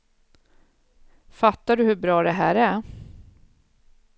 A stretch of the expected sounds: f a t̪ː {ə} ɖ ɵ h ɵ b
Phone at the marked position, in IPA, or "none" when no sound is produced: a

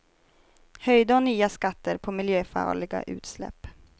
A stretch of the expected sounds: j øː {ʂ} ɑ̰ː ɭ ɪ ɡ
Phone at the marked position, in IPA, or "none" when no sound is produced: f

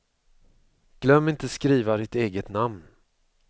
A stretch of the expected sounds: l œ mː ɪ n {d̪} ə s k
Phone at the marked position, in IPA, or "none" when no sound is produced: t̪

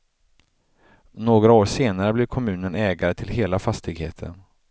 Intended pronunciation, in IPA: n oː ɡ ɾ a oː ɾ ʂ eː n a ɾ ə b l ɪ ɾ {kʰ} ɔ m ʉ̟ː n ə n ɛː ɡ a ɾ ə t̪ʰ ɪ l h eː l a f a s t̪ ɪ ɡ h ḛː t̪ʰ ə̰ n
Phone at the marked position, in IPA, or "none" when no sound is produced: kʰ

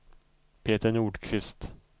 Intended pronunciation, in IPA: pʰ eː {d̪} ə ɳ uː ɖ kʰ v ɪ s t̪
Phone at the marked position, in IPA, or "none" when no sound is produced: t̪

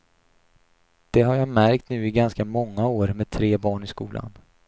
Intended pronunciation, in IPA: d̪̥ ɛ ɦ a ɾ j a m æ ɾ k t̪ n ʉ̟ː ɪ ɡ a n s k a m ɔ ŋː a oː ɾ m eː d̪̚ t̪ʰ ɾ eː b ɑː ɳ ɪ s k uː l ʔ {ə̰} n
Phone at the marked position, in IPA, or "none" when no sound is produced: a̰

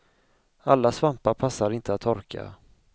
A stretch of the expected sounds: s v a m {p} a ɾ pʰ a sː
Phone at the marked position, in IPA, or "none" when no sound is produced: p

